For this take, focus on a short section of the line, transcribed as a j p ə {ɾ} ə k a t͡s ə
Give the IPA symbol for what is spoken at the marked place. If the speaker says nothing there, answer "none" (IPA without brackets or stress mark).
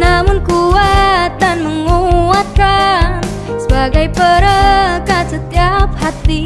ɾ